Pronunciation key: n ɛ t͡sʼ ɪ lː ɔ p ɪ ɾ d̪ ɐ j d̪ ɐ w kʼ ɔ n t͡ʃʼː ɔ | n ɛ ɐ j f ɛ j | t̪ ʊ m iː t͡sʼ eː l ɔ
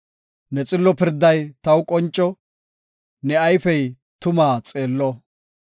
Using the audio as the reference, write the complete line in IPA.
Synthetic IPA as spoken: n ɛ t͡sʼ ɪ lː ɔ p ɪ ɾ d̪ ɐ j t̪ ɐ w kʼ ɔ n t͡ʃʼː ɔ | n ɛ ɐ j f ɛ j | t̪ ʊ m aː t͡sʼ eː lː ɔ

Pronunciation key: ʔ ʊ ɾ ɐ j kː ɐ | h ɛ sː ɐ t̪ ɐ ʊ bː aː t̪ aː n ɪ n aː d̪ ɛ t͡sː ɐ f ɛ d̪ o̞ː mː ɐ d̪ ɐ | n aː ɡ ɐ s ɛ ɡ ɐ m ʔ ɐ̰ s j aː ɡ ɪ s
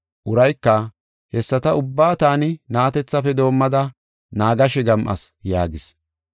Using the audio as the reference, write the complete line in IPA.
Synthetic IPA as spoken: ʔ ʊ ɾ ɐ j kː ɐ | h ɛ sː ɐ t̪ ɐ ʊ bː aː t̪ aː n ɪ n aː t̪ ɛ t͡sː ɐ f ɛ d̪ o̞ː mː ɐ d̪ ɐ | n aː ɡ ɐ ʃ ɛ ɡ ɐ m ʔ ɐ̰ s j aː ɡ ɪ s

